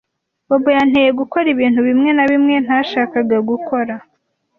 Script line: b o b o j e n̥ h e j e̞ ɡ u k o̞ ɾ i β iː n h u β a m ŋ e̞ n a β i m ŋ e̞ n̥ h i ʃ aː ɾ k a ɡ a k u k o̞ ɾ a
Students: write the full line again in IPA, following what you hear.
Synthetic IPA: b o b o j a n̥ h e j e̞ ɡ u k o̞ ɾ i β iː n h u β i m ŋ e̞ n a β i m ŋ e̞ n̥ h a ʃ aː k a ɡ a ɡ u k o̞ ɾ a

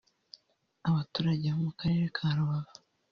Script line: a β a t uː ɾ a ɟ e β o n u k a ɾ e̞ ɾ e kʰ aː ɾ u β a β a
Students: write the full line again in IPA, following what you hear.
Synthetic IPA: a β a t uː ɾ a ɟ e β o m u k a ɾ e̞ ɾ e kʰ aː ɾ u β a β a

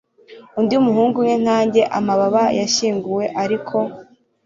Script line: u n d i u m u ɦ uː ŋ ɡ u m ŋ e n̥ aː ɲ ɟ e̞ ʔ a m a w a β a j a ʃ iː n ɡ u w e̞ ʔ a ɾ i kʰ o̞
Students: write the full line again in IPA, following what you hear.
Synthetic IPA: u n d i u m u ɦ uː ŋ ɡ u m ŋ e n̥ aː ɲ ɟ e̞ ʔ a m a β a β a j a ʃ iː ŋ ɡ u w e̞ ʔ a ɾ i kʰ o̞

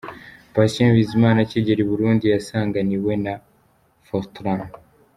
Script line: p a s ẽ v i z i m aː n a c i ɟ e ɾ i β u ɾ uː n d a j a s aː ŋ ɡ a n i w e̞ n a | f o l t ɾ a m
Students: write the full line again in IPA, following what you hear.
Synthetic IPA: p a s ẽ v i z i m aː n a c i ɟ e ɾ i β u ɾ uː n d i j a s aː ŋ ɡ a n i w e̞ n a | f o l t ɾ a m

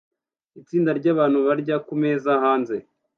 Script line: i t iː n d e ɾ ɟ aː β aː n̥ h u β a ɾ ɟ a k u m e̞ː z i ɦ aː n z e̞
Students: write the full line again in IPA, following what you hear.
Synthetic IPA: i t͡s iː n d a ɾ ɟ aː β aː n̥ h u β a ɾ ɟ a k u m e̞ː z a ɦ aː n z e̞

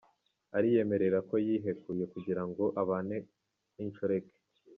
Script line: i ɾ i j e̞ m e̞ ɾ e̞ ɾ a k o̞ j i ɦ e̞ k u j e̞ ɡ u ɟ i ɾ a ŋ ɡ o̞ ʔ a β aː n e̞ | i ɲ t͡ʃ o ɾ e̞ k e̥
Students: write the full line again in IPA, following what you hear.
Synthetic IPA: a ɾ i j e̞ m e̞ ɾ e̞ ɾ a k o̞ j i ɦ e̞ k u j e̞ k u ɟ i ɾ a ŋ ɡ o̞ ʔ a β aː n e̞ | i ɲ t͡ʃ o ɾ e̞ k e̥

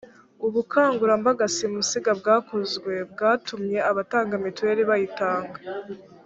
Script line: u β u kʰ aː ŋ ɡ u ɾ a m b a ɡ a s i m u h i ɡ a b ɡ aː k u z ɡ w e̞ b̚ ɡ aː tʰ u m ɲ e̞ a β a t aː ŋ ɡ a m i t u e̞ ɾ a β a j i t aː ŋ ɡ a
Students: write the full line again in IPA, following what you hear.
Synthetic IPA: u β u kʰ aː ŋ ɡ u ɾ a m b a ɡ a s i m u s i ɡ a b ɡ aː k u z ɡ w e̞ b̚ ɡ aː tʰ u m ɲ e̞ a β a t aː ŋ ɡ a m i t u e̞ ɾ i β a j i t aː ŋ ɡ a

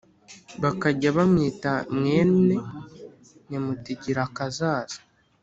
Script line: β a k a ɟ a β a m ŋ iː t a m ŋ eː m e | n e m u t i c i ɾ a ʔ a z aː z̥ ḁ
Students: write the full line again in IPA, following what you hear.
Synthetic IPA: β a k a ɟ a β a m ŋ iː t a m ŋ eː n e | n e m u t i ɟ i ɾ a k a z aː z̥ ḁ

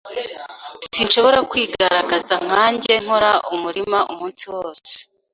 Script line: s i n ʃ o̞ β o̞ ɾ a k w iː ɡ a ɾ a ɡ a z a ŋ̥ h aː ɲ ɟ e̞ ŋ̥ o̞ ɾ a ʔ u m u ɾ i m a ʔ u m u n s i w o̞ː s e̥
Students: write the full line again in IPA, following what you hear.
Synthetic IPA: s i n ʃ o̞ β o̞ ɾ a k w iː ɡ a ɾ a ɡ a z a ŋ̥ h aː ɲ ɟ e̞ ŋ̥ o̞ ɾ a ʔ u m u ɾ i m a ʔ u m uː n s i w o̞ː s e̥

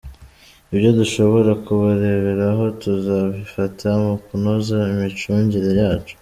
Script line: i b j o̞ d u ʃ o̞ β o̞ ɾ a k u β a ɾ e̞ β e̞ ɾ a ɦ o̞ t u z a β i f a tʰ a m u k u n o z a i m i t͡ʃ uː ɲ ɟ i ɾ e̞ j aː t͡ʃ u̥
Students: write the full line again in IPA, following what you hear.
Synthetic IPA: i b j o̞ d u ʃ o̞ β o̞ ɾ a k u β a ɾ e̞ β e̞ ɾ a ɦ o̞ t u z a β i f a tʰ a m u k u n o z a i m i t͡ʃ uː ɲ ɟ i ɾ e̞ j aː t͡ʃ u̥

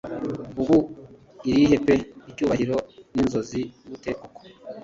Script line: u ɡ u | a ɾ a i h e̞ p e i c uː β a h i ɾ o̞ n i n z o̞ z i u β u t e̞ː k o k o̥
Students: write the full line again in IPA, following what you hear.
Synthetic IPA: u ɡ u | i ɾ i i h e̞ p e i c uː β a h i ɾ o̞ n i n z o̞ z i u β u t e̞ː k o k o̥

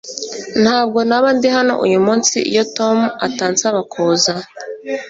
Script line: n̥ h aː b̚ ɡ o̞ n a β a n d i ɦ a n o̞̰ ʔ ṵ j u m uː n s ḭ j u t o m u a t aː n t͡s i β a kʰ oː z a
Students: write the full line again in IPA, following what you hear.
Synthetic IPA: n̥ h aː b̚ ɡ o̞ n a β a n d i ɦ a n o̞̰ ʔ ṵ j u m uː n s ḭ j o t o m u a t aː n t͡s a β a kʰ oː z a

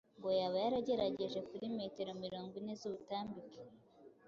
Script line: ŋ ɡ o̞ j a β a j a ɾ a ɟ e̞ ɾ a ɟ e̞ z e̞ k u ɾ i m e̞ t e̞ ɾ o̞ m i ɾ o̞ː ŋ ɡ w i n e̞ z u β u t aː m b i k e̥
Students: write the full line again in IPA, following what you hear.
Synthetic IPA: ŋ ɡ o̞ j a β a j a ɾ a ɟ e̞ ɾ a ɟ e̞ ʒ e̞ k u ɾ i m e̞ t e̞ ɾ o̞ m i ɾ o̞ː ŋ ɡ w i n e̞ z u β u t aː m b i k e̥

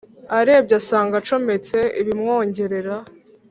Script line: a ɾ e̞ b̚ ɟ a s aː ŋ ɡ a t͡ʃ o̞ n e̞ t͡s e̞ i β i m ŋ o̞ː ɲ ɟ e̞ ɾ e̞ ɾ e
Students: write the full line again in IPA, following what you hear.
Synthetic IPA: a ɾ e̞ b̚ ɟ a s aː ŋ ɡ a t͡ʃ o̞ m e̞ t͡s e̞ i β i m ŋ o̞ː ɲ ɟ e̞ ɾ e̞ ɾ a

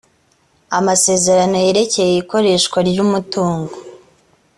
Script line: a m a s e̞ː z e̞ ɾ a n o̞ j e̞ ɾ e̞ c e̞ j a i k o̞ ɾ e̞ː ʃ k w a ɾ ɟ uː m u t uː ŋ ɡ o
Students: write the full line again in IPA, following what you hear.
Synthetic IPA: a m a s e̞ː z e̞ ɾ a n o̞ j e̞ ɾ e̞ c e̞ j e i k o̞ ɾ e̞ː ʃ k w a ɾ ɟ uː m u t uː ŋ ɡ o

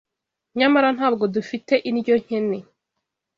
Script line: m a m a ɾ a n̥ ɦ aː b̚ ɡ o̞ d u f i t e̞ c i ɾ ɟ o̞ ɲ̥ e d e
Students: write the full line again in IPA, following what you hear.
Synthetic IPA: ɲ a m a ɾ a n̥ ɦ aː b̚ ɡ o̞ d u f i t e̞ ʔ i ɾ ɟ o̞ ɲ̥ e n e

